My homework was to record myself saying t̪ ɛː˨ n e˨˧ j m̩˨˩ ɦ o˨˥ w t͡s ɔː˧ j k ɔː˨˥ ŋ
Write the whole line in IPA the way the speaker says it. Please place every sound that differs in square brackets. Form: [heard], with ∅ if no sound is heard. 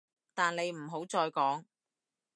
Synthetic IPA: t̪ [aː˨] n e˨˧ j m̩˨˩ ɦ o˨˥ w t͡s ɔː˧ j k ɔː˨˥ ŋ